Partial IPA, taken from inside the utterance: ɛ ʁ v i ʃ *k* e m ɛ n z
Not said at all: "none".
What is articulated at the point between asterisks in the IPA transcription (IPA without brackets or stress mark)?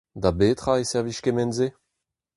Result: k